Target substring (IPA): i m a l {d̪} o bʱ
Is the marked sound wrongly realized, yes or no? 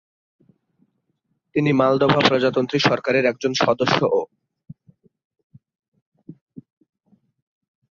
no